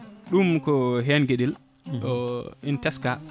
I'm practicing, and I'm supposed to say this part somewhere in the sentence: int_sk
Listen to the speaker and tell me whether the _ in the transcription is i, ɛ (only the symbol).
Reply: ɛ